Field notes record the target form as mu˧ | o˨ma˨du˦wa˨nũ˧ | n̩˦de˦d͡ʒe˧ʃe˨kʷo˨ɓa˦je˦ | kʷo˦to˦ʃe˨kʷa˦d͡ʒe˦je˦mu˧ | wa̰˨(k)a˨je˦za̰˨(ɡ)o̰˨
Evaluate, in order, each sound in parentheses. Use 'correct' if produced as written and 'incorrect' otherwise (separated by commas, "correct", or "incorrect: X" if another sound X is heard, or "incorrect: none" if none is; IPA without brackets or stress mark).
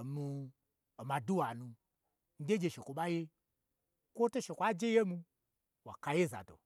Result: correct, incorrect: d